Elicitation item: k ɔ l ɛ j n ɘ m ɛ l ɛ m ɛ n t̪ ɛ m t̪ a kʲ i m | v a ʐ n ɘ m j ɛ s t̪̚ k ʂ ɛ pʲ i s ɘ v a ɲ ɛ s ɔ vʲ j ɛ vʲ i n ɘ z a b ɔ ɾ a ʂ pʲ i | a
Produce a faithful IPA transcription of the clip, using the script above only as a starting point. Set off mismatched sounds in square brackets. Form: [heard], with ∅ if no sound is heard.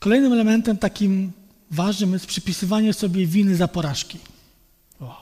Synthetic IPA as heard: k ɔ l ɛ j n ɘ m ɛ l ɛ m ɛ n t̪ ɛ m t̪ a kʲ i m | v a ʐ n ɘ m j ɛ s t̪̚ [p] ʂ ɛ pʲ i s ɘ v a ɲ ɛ s ɔ [bʲ] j ɛ vʲ i n ɘ z a [p] ɔ ɾ a ʂ [kʲ] i | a